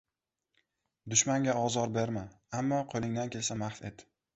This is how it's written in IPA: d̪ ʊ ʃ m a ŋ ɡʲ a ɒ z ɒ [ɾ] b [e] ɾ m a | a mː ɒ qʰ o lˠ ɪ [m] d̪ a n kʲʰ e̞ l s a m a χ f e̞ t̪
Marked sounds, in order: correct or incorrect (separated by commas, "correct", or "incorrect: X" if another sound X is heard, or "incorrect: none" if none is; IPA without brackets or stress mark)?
correct, correct, incorrect: ŋ